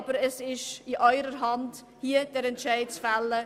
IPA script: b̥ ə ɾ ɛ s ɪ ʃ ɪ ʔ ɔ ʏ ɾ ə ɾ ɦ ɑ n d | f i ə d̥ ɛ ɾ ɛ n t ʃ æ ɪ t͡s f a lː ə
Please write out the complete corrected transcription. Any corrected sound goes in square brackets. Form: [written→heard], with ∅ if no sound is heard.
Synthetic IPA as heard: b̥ ə ɾ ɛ s ɪ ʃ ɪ ʔ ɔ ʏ ɾ ə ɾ ɦ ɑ n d | [f→h] i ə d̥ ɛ ɾ ɛ n t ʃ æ ɪ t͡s f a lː ə

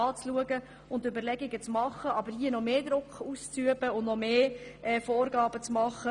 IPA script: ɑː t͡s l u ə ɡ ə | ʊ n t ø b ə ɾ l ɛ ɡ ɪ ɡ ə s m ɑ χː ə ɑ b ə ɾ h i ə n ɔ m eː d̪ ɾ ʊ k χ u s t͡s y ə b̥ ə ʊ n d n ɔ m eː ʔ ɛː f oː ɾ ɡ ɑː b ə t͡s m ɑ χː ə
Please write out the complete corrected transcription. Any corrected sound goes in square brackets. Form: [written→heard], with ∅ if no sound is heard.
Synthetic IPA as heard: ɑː t͡s l u ə ɡ ə | ʊ n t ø b ə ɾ l ɛ ɡ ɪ ɡ ə [s→t͡s] m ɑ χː ə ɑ b ə ɾ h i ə n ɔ m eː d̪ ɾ ʊ k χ u s t͡s y ə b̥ ə ʊ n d n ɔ m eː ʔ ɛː f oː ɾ ɡ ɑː b ə t͡s m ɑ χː ə

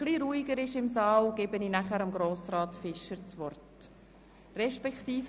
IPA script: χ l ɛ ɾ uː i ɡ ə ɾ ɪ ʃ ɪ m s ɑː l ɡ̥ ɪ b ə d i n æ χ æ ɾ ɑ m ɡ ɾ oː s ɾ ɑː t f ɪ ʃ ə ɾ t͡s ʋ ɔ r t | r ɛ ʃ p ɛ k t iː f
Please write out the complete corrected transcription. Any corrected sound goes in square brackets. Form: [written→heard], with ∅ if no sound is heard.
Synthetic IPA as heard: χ l [ɛ→i] ɾ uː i ɡ ə ɾ ɪ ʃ ɪ m s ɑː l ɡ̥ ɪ b ə [d→n] i n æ χ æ ɾ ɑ m ɡ ɾ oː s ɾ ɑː t f ɪ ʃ ə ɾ t͡s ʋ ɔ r t | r ɛ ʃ p ɛ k t iː f

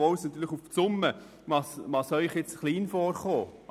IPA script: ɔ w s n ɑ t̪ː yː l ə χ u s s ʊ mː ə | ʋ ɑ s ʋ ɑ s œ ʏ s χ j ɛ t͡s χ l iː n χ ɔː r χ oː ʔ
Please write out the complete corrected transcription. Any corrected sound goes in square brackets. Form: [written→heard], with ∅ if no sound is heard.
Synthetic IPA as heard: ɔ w s n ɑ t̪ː yː l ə χ u [s→f] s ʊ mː ə | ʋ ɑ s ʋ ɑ s œ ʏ [s→∅] χ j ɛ t͡s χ l iː n [χ→f] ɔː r χ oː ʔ

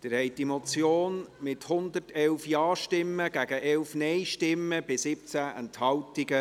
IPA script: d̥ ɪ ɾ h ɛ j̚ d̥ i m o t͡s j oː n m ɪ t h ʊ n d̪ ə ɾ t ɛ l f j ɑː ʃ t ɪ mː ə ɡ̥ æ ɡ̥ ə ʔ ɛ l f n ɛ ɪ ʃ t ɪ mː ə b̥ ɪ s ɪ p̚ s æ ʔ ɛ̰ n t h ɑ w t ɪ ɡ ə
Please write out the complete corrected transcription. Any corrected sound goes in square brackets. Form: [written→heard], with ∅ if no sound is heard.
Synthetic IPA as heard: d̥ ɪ ɾ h ɛ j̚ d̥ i m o t͡s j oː n m ɪ t h ʊ n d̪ ə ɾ t ɛ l f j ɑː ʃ t ɪ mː ə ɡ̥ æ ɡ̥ ə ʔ ɛ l f n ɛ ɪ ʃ t ɪ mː ə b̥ ɪ s ɪ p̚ [s→t͡s] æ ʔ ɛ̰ n t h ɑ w t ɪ ɡ ə

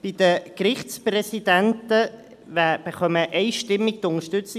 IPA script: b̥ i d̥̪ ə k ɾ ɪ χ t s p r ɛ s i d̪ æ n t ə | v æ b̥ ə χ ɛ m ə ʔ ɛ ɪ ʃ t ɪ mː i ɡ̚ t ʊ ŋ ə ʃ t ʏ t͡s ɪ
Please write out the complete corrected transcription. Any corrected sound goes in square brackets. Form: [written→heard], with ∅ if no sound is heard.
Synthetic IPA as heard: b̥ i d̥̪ ə k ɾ ɪ χ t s p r ɛ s i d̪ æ n t ə | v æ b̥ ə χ [ɛ→œ] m ə ʔ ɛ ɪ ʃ t ɪ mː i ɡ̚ t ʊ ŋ ə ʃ t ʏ t͡s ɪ

